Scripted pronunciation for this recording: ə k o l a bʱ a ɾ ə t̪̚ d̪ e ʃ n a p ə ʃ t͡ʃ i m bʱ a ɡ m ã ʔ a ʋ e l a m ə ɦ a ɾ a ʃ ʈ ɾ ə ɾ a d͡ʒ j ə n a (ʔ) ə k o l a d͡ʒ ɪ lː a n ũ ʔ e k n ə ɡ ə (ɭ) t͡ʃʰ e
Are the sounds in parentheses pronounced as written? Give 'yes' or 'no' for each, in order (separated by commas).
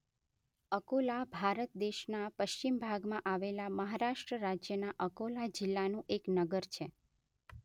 yes, no